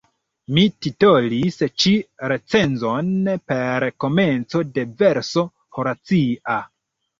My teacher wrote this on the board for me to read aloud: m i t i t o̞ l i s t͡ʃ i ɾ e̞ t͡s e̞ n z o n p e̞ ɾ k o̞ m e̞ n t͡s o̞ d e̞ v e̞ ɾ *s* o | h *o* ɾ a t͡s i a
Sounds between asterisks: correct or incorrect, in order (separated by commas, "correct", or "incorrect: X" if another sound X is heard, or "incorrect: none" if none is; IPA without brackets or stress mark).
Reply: correct, correct